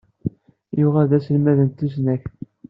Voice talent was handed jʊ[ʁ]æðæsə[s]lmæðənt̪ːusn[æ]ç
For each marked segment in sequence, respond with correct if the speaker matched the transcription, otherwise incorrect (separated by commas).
correct, incorrect, correct